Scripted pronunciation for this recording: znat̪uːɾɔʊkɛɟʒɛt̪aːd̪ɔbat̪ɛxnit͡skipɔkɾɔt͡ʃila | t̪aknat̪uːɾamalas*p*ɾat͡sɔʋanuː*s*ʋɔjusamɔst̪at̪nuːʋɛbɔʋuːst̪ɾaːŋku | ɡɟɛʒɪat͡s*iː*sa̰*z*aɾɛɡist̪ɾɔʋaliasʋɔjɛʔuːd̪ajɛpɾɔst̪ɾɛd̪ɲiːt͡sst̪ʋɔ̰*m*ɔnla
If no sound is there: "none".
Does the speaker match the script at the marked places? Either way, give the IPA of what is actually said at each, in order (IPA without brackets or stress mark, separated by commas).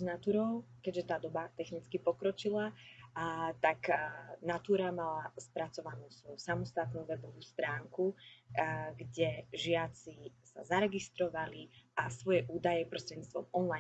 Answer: p, s, i, z, m